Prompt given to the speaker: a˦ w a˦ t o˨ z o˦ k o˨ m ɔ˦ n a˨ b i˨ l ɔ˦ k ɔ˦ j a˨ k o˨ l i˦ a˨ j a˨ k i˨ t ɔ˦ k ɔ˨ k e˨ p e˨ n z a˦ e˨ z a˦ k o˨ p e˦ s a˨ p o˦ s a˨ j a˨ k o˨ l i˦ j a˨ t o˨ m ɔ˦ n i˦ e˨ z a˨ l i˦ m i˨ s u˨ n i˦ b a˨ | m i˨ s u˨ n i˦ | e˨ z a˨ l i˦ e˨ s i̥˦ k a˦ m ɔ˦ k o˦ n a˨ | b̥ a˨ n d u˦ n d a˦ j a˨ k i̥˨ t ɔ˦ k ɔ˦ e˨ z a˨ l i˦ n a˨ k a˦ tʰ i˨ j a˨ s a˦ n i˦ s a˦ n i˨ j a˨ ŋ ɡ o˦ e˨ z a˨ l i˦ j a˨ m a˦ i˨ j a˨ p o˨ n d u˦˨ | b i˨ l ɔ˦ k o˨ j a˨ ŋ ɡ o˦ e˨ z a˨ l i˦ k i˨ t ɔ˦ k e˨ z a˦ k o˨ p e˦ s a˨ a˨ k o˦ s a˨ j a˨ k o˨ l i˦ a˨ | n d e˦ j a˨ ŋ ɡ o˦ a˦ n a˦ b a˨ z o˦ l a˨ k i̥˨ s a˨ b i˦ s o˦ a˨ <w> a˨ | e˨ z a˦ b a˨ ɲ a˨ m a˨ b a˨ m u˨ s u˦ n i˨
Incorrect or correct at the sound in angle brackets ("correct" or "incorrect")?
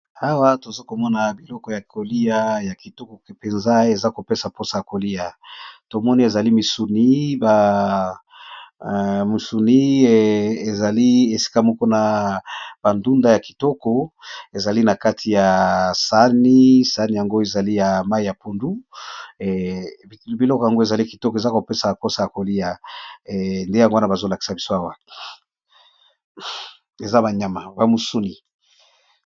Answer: correct